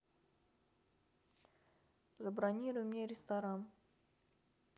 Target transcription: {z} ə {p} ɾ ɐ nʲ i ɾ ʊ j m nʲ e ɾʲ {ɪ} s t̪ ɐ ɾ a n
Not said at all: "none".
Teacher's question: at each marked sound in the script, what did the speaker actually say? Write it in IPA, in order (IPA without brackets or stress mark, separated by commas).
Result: z, b, ɪ